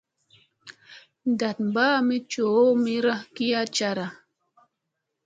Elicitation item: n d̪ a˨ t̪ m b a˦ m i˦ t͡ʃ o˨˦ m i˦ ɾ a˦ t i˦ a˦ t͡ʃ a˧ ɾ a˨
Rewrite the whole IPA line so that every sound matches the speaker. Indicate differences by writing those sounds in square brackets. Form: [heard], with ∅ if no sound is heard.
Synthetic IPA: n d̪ a˨ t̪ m b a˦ m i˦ t͡ʃ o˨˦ m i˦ ɾ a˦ [k] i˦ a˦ t͡ʃ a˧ ɾ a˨